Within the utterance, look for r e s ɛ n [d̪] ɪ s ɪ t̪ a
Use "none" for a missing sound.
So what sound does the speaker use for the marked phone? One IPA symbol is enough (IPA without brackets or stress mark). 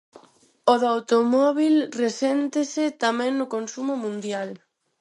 t̪